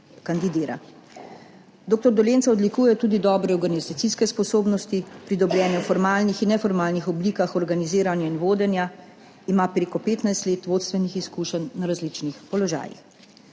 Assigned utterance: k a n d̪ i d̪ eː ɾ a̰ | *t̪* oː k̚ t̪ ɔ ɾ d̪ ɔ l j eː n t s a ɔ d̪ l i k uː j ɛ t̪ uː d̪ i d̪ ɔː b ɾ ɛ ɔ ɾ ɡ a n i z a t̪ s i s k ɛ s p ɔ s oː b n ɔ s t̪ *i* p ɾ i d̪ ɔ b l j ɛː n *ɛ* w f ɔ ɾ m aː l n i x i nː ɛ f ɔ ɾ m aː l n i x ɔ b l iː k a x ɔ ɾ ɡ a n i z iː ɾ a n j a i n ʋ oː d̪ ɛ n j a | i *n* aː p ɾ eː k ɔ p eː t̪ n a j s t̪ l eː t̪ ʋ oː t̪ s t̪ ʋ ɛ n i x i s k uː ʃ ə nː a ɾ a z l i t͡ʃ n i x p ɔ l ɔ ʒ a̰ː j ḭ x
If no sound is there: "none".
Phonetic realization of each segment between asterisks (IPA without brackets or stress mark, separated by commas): d̪, i, ɛ, m